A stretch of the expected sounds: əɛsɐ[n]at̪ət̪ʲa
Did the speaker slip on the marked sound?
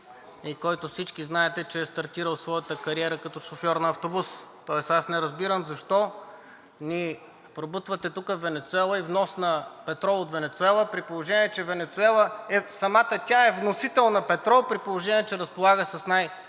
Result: yes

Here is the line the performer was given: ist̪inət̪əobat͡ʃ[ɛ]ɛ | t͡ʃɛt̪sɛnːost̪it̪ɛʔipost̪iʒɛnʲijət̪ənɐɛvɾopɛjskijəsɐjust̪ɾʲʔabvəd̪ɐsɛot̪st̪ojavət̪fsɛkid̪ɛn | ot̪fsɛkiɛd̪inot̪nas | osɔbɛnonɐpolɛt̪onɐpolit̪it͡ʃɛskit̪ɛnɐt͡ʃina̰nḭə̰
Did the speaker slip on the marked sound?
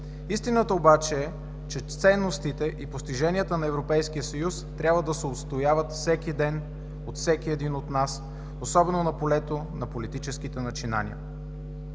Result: no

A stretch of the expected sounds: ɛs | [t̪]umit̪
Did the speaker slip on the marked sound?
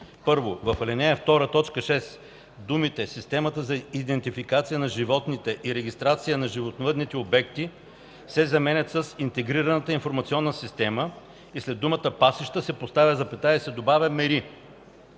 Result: yes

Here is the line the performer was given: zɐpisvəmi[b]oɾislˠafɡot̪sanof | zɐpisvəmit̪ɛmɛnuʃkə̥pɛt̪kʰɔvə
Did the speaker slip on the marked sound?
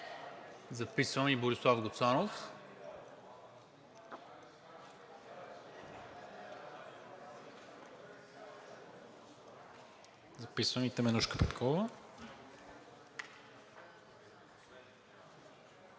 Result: no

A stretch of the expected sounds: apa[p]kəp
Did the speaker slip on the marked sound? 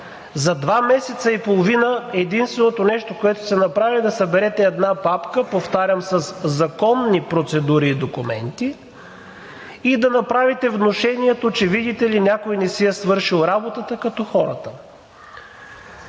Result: no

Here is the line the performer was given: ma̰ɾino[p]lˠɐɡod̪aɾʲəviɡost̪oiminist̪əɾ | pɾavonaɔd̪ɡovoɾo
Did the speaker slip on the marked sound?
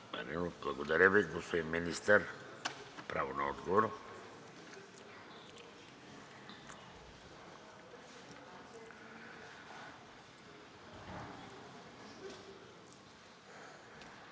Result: yes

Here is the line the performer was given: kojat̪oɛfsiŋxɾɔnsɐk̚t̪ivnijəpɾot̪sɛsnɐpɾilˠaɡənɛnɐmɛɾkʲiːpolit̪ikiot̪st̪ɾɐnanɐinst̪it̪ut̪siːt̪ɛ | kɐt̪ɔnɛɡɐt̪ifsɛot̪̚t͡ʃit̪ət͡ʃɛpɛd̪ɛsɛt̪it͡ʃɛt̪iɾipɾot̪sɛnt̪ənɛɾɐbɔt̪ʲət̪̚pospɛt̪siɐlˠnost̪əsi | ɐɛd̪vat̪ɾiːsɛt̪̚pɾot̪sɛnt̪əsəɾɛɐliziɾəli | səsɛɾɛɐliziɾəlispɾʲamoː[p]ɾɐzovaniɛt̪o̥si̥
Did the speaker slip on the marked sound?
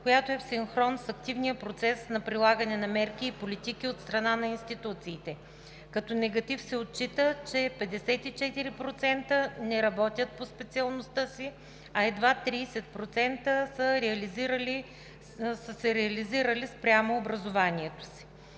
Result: yes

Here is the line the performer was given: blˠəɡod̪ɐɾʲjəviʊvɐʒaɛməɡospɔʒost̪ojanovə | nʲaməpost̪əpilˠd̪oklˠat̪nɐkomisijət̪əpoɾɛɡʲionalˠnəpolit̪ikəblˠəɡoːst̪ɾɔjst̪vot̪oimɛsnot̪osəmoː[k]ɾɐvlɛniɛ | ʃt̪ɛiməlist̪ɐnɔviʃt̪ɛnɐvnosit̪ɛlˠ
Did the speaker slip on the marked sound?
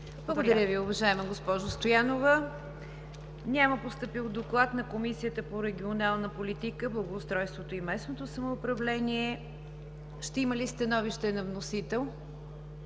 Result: yes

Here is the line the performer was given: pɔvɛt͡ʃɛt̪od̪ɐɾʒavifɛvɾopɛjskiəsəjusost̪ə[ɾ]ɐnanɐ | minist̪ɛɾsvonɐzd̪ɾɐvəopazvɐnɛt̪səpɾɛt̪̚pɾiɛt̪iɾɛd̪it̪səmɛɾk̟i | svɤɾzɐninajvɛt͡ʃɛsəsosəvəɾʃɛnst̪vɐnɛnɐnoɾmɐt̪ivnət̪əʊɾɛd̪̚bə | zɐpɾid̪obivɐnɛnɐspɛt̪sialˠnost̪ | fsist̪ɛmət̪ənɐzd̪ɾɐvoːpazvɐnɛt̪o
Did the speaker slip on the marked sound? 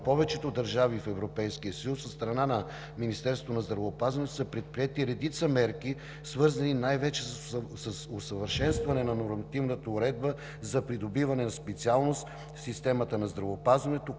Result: no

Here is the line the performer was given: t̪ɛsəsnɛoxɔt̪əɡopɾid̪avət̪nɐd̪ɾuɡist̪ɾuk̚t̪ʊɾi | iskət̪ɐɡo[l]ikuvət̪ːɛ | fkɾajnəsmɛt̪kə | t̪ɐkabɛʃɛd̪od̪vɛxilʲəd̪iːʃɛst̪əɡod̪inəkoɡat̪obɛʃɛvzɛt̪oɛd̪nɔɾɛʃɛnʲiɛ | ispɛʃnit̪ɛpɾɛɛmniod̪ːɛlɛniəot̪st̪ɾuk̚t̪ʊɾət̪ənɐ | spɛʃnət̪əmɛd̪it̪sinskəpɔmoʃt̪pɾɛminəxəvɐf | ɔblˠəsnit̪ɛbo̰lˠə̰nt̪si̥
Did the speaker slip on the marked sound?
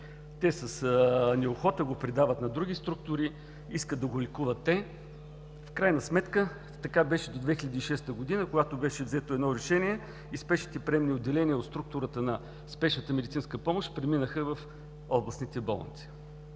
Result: no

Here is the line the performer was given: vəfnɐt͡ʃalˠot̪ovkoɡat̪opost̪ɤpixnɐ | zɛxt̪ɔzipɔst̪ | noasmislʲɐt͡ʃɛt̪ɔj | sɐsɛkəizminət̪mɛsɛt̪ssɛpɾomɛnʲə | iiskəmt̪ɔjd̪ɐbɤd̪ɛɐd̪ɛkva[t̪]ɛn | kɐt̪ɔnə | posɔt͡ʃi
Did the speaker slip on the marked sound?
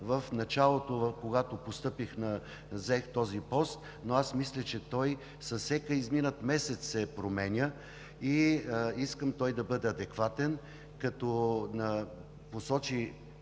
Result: no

